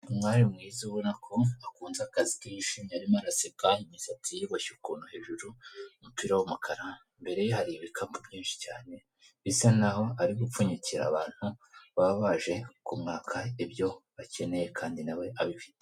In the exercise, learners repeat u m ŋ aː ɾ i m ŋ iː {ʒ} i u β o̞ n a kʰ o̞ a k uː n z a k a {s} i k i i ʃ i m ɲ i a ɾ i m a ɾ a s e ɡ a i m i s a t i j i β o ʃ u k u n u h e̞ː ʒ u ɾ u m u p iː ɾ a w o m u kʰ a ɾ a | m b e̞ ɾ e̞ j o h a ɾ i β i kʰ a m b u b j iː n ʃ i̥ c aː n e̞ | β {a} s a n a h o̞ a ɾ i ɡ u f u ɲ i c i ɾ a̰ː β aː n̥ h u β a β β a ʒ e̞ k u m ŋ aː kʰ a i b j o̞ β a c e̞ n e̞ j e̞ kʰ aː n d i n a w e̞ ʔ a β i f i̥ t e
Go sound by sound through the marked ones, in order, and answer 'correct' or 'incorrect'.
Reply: incorrect: z, incorrect: z, incorrect: i

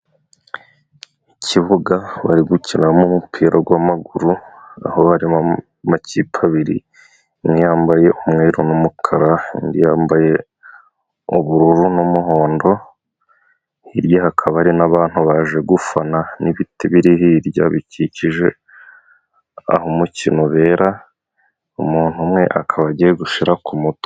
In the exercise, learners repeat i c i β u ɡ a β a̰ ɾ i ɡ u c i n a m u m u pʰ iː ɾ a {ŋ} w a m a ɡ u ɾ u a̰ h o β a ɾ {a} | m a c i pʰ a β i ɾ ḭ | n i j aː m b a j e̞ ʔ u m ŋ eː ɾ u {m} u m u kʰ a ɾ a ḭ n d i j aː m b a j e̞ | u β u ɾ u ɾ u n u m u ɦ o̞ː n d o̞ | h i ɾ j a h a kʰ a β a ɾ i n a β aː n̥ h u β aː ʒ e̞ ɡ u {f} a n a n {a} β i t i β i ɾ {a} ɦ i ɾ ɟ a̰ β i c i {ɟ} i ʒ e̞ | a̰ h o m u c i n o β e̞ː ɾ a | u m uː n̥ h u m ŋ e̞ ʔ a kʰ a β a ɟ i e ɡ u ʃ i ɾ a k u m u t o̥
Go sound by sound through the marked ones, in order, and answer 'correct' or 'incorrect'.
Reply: incorrect: ɡ, incorrect: i, incorrect: n, correct, incorrect: i, incorrect: i, incorrect: c

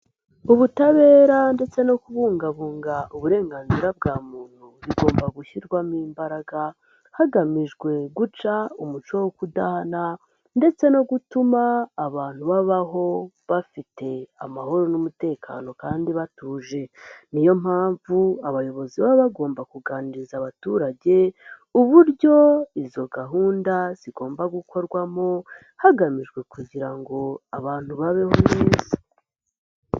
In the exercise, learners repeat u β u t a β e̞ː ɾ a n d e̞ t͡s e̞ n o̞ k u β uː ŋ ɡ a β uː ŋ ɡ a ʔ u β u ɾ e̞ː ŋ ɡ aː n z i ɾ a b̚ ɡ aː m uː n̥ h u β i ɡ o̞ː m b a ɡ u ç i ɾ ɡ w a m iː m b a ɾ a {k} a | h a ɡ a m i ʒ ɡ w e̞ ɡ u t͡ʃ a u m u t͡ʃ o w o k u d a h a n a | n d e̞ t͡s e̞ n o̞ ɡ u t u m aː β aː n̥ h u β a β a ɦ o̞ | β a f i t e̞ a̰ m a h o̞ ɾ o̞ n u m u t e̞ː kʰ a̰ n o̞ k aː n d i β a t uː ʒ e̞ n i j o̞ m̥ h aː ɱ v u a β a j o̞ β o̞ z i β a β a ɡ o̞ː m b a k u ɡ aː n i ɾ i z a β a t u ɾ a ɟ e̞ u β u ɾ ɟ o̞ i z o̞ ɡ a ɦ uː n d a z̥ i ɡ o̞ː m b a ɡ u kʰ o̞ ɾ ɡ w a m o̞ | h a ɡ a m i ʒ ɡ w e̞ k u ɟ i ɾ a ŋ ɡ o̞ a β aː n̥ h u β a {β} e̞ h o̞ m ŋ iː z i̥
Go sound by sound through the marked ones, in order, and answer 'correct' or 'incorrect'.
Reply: incorrect: ɡ, correct

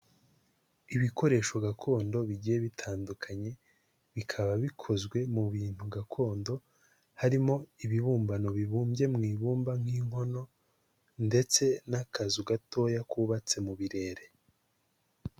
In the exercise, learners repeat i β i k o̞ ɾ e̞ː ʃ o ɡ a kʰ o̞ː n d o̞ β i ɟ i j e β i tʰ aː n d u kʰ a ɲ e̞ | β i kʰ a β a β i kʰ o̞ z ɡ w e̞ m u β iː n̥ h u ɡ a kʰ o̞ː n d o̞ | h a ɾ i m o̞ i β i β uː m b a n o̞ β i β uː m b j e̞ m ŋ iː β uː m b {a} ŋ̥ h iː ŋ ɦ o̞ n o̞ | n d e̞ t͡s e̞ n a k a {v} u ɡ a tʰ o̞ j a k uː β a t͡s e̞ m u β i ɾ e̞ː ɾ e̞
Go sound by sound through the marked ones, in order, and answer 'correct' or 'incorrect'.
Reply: correct, incorrect: z

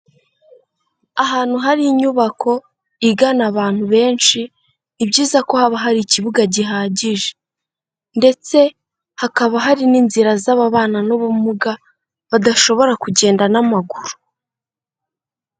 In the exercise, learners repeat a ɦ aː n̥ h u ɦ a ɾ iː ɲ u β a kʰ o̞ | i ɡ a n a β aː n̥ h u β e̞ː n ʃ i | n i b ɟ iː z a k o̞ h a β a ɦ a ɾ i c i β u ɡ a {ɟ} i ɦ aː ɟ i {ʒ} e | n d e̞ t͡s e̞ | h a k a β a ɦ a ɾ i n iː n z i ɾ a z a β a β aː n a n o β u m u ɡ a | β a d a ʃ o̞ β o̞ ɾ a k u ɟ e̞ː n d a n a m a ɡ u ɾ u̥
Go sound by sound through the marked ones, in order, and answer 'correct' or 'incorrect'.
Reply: correct, correct

